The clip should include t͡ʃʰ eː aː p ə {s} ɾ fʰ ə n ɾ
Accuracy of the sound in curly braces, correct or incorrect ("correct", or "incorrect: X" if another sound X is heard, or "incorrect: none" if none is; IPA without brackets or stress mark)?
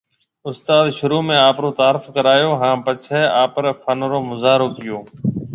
incorrect: none